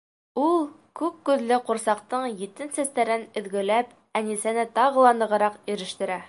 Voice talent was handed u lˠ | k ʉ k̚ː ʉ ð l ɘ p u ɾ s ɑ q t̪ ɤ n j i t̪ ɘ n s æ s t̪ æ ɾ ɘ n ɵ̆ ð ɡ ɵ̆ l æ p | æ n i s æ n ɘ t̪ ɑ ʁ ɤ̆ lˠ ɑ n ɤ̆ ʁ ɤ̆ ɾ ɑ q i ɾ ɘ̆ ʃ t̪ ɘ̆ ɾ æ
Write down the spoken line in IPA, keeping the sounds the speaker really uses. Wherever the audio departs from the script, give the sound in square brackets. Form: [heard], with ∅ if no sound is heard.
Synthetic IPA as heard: u lˠ | k ʉ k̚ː ʉ ð l ɘ [q] u ɾ s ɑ q t̪ ɤ [ɴ] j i t̪ ɘ n s æ s t̪ æ ɾ ɘ n ɵ̆ ð ɡ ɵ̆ l æ p | æ n i s æ n ɘ t̪ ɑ ʁ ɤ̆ lˠ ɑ n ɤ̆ ʁ ɤ̆ ɾ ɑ q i ɾ ɘ̆ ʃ t̪ ɘ̆ ɾ æ